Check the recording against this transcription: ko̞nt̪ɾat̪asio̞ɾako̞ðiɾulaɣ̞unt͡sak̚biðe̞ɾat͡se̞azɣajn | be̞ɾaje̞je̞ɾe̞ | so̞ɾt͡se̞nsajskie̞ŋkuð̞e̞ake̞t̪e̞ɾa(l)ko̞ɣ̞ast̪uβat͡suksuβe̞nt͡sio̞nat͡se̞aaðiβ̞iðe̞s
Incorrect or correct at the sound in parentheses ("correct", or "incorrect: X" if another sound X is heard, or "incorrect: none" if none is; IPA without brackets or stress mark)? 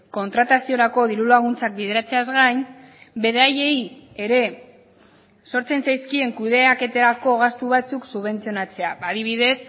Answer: incorrect: none